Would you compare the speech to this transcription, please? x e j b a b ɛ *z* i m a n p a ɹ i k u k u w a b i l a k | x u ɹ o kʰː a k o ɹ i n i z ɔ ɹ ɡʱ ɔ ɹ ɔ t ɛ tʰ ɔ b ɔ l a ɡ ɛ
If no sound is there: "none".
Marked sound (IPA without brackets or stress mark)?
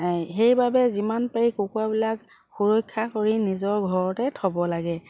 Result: z